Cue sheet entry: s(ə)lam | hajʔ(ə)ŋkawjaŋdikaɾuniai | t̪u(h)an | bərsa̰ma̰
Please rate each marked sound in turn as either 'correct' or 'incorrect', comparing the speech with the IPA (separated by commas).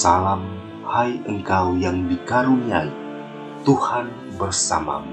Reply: incorrect, correct, correct